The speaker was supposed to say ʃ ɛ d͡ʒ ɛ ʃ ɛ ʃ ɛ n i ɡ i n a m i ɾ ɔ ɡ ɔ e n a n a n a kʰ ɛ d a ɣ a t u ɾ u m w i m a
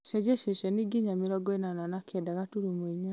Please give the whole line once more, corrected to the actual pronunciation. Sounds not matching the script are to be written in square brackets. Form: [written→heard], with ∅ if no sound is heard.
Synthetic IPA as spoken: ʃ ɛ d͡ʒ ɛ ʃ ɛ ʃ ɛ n i ɡ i [n→ɲ] a m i ɾ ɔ ɡ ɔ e n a n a n a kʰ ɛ d a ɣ a t u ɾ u m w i [m→ɲ] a